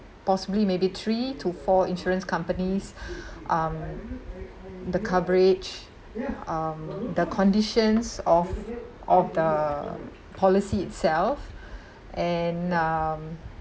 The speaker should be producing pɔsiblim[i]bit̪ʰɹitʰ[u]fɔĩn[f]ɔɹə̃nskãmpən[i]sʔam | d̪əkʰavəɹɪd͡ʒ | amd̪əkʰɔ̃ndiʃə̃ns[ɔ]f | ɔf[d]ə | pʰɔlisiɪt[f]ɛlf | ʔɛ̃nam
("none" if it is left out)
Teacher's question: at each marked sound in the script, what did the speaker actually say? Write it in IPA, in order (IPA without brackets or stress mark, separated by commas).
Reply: e, u, ʃ, i, ɔ, d, s